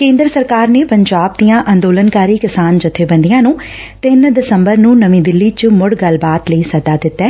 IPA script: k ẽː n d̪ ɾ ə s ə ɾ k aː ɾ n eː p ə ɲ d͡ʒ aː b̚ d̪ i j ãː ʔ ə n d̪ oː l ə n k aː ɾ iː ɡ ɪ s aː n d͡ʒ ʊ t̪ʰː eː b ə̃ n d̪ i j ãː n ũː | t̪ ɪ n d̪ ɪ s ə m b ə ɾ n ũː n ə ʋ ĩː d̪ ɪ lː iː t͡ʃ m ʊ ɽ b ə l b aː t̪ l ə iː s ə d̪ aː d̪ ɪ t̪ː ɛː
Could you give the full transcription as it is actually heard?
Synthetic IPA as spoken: k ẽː n d̪ ɾ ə s ə ɾ k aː ɾ n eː p ə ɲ d͡ʒ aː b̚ d̪ i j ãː ʔ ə n d̪ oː l ə n k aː ɾ iː k ɪ s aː n d͡ʒ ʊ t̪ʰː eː b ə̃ n d̪ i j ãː n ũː | t̪ ɪ n d̪ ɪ s ə m b ə ɾ n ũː n ə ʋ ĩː d̪ ɪ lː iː t͡ʃ m ʊ ɽ ɡ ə l b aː t̪ l ə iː s ə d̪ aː d̪ ɪ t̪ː ɛː